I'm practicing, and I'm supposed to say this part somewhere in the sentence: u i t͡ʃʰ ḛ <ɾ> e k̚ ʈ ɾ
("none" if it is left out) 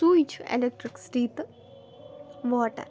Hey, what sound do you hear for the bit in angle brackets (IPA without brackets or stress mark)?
l